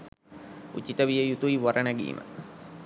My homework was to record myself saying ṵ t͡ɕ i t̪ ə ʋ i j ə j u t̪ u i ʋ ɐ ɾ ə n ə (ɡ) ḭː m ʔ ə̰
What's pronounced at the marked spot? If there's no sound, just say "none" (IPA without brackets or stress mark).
ɡ